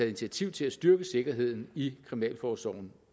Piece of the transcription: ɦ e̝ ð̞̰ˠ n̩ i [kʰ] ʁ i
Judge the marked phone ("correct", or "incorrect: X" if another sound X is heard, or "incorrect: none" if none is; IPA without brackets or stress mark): correct